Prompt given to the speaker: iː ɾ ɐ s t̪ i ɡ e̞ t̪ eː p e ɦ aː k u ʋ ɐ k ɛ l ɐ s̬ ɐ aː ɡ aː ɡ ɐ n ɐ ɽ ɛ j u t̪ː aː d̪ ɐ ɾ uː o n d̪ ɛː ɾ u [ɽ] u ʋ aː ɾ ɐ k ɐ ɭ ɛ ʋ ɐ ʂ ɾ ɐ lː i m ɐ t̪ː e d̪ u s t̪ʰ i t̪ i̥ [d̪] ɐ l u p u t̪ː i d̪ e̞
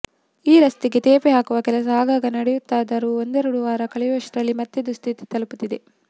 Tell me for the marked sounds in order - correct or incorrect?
correct, incorrect

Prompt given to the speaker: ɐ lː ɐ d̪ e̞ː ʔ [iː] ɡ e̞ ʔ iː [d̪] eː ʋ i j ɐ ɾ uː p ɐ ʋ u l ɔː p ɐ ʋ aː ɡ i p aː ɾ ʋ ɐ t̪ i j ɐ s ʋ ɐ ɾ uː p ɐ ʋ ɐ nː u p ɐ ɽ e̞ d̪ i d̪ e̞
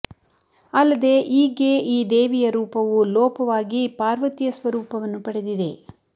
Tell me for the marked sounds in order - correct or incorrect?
correct, correct

